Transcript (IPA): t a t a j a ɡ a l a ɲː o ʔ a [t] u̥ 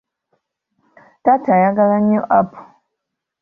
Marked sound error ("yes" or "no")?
yes